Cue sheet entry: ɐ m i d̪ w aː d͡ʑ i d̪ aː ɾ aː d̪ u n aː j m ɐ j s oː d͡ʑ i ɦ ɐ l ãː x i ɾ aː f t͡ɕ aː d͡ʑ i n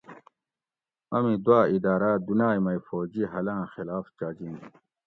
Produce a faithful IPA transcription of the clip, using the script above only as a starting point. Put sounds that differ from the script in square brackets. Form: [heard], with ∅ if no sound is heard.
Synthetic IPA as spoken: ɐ m i d̪ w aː [∅] i d̪ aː ɾ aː d̪ u n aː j m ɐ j [f] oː d͡ʑ i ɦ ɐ l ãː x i [l] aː f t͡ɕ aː d͡ʑ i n